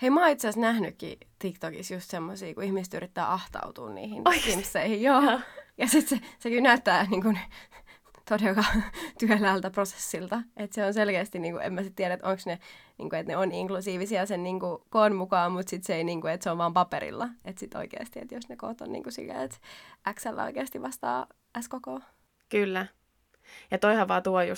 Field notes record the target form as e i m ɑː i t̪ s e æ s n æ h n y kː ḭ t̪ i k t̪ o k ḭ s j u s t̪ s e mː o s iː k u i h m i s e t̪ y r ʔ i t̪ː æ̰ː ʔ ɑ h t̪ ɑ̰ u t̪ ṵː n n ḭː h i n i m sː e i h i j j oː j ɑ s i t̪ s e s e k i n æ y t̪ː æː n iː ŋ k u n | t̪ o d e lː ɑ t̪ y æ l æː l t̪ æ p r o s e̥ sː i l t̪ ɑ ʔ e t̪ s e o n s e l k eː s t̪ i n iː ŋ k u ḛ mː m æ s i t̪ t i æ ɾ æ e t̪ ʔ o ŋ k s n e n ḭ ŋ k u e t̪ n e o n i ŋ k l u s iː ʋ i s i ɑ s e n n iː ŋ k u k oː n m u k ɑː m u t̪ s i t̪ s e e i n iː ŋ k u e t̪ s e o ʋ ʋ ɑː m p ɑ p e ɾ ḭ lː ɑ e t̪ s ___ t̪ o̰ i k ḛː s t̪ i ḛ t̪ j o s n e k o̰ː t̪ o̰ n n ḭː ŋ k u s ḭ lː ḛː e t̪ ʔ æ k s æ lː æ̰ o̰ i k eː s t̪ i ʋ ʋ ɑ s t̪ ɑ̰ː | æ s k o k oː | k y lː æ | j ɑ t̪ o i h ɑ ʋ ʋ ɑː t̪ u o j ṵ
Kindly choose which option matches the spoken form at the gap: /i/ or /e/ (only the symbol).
i